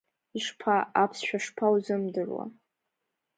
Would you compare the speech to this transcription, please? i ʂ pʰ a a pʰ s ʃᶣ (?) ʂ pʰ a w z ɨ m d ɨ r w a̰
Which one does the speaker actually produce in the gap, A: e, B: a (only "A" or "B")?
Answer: B